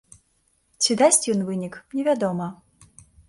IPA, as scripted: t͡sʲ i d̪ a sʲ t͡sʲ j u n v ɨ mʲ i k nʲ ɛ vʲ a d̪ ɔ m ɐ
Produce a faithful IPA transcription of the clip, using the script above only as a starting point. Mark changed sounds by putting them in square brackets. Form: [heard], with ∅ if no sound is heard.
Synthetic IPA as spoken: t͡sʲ i d̪ a sʲ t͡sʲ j [ɔ] n v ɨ [nʲ] i k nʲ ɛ vʲ a d̪ ɔ m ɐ